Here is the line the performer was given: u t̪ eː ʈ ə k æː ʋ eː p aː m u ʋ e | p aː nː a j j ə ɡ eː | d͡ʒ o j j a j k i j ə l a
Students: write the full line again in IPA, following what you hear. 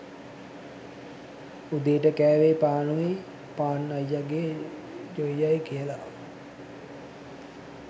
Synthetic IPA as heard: u d̪ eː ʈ ə k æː ʋ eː p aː n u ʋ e | p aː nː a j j a ɡ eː | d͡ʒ o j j a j k i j ə l a